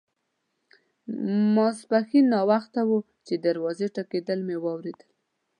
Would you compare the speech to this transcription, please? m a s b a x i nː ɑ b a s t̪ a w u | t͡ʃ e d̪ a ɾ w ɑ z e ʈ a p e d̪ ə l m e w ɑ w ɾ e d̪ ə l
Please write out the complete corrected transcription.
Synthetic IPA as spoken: m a s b a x i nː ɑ w a x t̪ a w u | t͡ʃ e d̪ a ɾ w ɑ z e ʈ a k e d̪ ə l m e w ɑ w ɾ e d̪ ə l